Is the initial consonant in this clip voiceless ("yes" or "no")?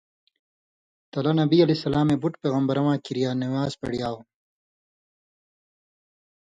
yes